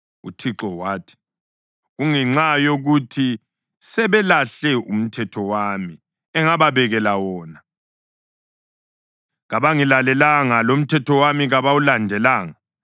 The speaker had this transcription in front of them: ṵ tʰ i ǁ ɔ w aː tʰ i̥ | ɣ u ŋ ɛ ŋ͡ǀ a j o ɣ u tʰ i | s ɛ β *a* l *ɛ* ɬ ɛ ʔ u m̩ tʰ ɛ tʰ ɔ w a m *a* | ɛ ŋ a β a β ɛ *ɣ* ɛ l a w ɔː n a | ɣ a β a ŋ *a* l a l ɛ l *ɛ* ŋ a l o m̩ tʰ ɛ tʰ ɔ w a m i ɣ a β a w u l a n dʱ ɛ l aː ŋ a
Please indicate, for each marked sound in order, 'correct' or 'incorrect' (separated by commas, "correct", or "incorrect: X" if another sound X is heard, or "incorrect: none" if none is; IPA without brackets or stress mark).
incorrect: ɛ, incorrect: a, incorrect: i, correct, incorrect: i, incorrect: a